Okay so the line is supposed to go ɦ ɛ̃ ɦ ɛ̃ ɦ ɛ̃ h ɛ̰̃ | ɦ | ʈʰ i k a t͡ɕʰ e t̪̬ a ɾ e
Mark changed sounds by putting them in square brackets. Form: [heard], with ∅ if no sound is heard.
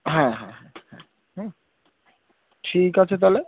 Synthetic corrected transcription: ɦ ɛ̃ ɦ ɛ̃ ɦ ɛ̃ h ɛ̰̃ | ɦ | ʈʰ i k a t͡ɕʰ e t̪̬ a [l] e